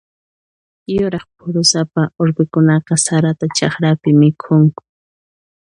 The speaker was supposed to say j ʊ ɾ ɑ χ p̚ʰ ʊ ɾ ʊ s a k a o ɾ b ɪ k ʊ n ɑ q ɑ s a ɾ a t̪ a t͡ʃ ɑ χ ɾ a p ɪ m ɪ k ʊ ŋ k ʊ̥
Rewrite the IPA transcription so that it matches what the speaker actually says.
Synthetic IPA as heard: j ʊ ɾ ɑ χ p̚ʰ ʊ ɾ ʊ s a p a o ɾ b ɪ k ʊ n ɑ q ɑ s a ɾ a t̪ a t͡ʃ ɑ χ ɾ a p ɪ m ɪ kʰ ʊ ŋ k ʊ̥

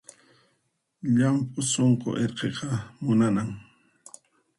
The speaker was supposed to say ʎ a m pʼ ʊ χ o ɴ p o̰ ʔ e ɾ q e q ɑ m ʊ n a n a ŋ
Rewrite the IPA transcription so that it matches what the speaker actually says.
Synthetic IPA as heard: ʎ a m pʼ ʊ s o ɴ q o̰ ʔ e ɾ q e q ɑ m ʊ n a n a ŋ

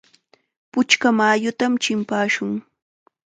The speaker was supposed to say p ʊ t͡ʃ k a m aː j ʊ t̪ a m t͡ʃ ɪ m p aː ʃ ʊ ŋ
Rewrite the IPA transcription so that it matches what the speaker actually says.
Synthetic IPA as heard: p ʊ t͡ʃ k a m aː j ʊ t̪ a m t͡ʃ ɪ m p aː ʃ ʊ ŋ

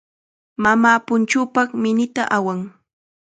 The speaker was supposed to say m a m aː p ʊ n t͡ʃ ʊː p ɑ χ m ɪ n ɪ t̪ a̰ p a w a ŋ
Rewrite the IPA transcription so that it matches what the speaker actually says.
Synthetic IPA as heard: m a m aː p ʊ n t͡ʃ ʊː p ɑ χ m ɪ n ɪ t̪ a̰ ʔ a w a ŋ

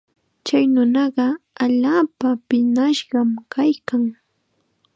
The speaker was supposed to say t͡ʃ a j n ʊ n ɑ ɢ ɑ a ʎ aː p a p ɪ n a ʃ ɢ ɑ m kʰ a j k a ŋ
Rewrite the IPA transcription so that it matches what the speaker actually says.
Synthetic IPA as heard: t͡ʃ a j n ʊ n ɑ ɢ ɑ a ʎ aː p a p ɪ n a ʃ ɢ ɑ m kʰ a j k a ŋ

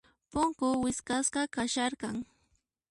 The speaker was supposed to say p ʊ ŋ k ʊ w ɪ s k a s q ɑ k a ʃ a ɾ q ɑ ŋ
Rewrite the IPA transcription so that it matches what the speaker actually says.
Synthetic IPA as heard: p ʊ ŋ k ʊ w ɪ s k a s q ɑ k a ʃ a ɾ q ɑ ŋ

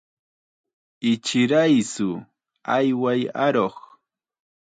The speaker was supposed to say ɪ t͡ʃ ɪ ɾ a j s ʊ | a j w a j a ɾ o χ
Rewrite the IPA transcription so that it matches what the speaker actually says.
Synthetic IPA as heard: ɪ t͡ʃ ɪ ɾ a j s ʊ | a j w a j a ɾ o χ

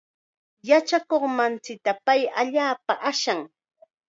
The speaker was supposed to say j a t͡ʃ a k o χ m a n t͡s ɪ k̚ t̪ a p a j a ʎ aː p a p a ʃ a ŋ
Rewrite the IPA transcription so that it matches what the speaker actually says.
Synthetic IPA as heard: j a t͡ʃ a k o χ m a n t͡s ɪ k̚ t̪ a p a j a ʎ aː p a ʔ a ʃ a ŋ

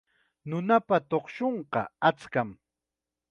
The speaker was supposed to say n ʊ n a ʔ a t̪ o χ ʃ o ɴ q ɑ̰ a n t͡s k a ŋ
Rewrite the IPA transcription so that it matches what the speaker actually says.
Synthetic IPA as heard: n ʊ n a p a t̪ o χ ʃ o ɴ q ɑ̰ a t͡s k a m

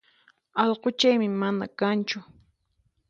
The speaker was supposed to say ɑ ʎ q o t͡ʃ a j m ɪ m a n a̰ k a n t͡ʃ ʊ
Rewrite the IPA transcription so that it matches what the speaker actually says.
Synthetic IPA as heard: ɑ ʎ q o t͡ʃ a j m ɪ m a n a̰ k a n t͡ʃ ʊ

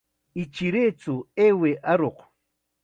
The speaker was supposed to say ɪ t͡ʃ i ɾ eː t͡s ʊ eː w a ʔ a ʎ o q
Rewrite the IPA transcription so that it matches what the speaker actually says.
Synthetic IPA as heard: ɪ t͡ʃ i ɾ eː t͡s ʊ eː w e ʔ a ɾ o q

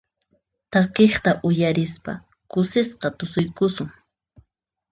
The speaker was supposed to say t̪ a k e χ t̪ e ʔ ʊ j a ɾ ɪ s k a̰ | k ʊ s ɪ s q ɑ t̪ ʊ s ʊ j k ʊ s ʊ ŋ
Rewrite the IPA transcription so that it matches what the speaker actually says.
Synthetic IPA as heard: t̪ a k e χ t̪ a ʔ ʊ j a ɾ ɪ s p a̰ | k ʊ s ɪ s q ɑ t̪ ʊ s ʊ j k ʊ s ʊ ŋ

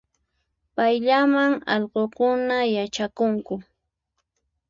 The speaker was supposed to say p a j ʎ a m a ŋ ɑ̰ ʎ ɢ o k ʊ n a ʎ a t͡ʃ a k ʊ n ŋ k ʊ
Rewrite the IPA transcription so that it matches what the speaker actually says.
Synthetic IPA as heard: p a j ʎ a m a ŋ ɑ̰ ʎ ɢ o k ʊ n a j a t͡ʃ a k ʊ ŋ k ʊ

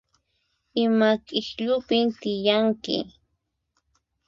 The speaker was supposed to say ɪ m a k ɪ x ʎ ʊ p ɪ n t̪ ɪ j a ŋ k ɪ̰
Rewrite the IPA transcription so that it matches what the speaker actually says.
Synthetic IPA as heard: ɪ m a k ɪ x ʎ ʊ p ɪ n t̪ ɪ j a ŋ k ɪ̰

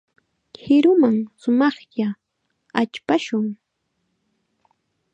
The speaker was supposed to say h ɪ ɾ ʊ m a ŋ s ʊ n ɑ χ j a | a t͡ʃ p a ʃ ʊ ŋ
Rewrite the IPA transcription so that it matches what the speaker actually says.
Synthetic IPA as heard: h ɪ ɾ ʊ m a ŋ s ʊ m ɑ χ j a | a t͡ʃ p a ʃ ʊ ŋ

